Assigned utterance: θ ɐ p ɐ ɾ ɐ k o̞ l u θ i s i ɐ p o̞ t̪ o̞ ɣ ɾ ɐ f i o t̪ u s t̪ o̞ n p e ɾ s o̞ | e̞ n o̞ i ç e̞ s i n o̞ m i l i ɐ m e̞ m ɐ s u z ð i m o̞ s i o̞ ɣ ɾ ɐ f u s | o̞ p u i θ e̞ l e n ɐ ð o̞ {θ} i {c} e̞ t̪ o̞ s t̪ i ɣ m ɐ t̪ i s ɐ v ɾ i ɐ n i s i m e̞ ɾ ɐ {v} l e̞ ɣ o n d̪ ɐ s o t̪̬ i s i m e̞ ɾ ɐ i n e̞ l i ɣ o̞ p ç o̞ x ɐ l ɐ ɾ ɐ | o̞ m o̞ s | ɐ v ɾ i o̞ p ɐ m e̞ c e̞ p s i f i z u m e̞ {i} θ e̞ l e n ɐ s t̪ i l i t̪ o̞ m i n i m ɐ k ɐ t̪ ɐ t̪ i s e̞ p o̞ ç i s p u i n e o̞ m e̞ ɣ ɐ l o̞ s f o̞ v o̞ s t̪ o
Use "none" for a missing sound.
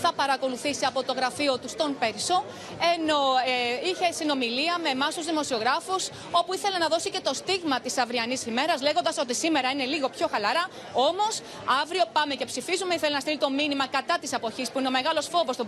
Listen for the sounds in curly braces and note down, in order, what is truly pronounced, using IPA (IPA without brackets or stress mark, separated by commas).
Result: s, c, z, i